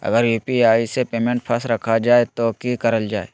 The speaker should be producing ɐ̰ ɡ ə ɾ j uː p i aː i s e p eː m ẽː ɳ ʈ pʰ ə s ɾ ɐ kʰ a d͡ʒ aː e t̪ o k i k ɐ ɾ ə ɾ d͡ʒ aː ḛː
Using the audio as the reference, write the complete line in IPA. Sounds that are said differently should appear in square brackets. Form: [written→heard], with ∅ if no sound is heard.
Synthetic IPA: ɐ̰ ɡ ə ɾ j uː p i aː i s e p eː m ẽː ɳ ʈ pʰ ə s ɾ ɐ kʰ a d͡ʒ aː e t̪ o k i k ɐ ɾ ə [ɾ→l] d͡ʒ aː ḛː